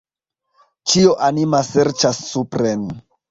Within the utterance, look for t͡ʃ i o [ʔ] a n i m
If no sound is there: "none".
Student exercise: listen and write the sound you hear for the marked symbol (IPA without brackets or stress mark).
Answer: ʔ